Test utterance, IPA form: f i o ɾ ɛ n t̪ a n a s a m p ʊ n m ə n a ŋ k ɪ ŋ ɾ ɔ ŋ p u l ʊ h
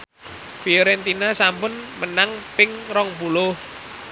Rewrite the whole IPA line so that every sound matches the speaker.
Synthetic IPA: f i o ɾ ɛ n t̪ i n a s a m p ʊ n m ə n a ŋ p ɪ ŋ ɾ ɔ ŋ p u l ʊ h

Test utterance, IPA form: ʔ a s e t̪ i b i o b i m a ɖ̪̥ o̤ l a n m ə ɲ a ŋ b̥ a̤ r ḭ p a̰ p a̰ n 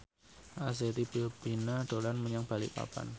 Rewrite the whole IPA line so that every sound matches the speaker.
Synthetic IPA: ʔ a s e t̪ i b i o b i n a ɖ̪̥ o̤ l a n m ə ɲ a ŋ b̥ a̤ l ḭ p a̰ p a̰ n

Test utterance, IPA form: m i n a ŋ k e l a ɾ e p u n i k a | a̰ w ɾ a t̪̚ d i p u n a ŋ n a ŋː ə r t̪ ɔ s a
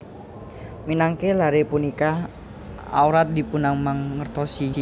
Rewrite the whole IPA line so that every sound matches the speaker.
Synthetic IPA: m i n a ŋ k e l a ɾ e p u n i k a | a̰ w ɾ a t̪̚ d i p u n a ŋ m a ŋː ə r t̪ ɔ s i

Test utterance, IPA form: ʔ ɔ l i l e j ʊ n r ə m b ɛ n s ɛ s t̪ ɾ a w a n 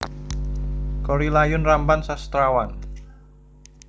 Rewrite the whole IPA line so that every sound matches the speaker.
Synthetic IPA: k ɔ ɾ i l a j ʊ n r a m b a n s a s t̪ ɾ a w a n

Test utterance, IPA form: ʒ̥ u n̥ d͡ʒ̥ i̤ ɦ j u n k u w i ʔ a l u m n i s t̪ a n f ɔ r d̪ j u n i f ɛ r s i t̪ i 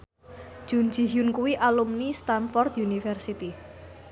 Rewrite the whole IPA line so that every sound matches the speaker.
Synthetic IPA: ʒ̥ u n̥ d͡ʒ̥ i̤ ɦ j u n k u w i ʔ a l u m n i s t̪ a n f ɔ r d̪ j u n i f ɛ r s i t̪ i

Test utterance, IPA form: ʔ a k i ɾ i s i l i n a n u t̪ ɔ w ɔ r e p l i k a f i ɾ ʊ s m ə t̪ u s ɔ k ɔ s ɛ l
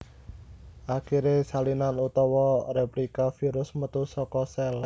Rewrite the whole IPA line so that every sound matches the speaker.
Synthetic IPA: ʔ a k i ɾ e s a l i n a n u t̪ ɔ w ɔ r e p l i k a f i ɾ ʊ s m ə t̪ u s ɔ k ɔ s ɛ l

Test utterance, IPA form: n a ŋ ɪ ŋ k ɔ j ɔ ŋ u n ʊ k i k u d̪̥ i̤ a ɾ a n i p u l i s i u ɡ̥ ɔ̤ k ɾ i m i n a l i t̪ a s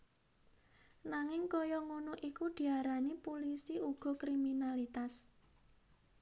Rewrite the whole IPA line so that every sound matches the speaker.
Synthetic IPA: n a ŋ ɪ ŋ k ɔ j ɔ ŋ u n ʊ ʔ i k u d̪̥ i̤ a ɾ a n i p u l i s i u ɡ̥ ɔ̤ k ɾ i m i n a l i t̪ a s

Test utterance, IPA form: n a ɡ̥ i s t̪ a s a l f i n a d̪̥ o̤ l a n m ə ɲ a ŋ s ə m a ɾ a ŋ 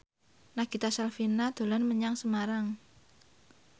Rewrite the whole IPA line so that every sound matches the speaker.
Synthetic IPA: n a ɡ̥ i t̪ a s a l f i n a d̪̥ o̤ l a n m ə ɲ a ŋ s ə m a ɾ a ŋ

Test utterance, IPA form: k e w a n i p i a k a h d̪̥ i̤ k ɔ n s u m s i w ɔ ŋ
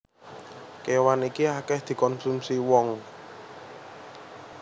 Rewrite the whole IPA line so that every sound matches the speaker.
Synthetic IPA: k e w a n i k i a k ɛ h d̪̥ i̤ k ɔ n s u m s i w ɔ ŋ

